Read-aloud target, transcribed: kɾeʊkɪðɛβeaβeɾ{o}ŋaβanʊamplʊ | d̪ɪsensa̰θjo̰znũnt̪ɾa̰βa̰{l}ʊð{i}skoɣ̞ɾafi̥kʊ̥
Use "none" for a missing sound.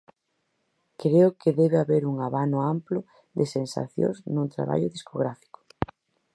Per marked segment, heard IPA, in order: u, ʎ, i

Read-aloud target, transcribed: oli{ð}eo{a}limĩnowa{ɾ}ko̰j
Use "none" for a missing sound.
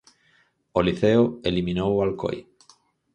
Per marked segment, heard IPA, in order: θ, e, l

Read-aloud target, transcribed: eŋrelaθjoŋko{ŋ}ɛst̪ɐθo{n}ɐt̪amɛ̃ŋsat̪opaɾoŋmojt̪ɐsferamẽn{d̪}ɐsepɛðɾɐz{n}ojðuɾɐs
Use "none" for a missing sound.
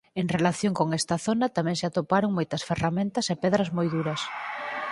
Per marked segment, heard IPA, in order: ŋ, n, t̪, m

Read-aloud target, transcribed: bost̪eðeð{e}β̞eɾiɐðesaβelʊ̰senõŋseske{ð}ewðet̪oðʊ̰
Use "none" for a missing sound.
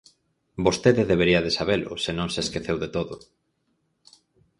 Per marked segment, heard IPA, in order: e, θ

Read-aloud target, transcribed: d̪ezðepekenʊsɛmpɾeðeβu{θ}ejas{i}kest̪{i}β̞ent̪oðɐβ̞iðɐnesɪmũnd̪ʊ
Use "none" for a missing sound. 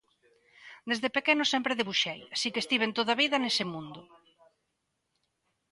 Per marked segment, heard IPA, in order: ʃ, i, i

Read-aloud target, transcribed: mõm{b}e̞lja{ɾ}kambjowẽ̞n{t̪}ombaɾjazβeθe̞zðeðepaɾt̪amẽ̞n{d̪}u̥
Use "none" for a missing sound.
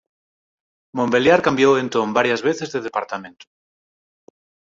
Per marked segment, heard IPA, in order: b, ɾ, t̪, t̪

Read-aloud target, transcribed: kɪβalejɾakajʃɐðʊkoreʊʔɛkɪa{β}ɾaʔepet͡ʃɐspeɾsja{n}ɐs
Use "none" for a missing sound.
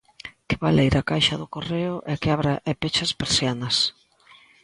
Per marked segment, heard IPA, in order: β, n

